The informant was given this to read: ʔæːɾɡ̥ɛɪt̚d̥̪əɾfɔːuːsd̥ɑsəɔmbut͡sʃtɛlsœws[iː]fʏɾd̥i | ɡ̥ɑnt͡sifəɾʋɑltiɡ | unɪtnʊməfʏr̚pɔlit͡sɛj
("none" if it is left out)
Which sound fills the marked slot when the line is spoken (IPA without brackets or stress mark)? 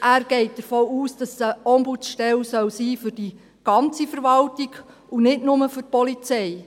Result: iː